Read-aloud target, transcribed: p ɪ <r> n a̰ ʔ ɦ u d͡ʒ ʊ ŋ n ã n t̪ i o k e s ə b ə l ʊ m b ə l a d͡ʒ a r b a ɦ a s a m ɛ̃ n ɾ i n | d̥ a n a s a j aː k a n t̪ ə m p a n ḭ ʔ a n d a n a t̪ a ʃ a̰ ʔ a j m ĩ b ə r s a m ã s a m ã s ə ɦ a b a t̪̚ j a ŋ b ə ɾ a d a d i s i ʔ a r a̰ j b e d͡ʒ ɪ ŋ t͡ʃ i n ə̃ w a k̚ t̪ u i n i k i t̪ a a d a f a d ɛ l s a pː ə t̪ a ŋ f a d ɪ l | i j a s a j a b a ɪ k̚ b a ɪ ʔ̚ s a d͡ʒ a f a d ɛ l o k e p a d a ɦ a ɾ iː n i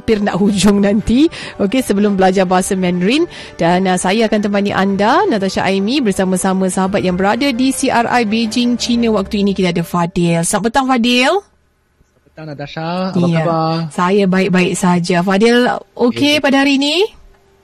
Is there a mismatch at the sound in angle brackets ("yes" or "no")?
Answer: no